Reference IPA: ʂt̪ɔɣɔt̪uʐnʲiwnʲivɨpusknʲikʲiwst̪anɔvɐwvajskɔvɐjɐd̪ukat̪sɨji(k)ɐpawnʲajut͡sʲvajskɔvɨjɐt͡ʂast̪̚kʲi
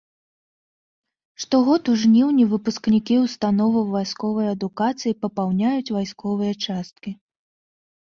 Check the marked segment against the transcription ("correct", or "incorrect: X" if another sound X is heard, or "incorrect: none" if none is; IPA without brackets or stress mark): incorrect: p